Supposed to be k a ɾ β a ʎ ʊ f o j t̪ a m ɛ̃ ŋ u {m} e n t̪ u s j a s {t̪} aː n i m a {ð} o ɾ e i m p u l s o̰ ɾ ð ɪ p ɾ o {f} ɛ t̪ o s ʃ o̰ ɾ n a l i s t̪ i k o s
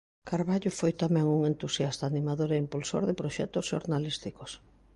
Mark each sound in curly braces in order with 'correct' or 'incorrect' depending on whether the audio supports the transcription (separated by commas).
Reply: incorrect, correct, correct, incorrect